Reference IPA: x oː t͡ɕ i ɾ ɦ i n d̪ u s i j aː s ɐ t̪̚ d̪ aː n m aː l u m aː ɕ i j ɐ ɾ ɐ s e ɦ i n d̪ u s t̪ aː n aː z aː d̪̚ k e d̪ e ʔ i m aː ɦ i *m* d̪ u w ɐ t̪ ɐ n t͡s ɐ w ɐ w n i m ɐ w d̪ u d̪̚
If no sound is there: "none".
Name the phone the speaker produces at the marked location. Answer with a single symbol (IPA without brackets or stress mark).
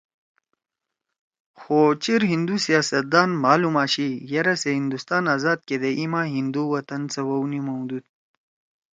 n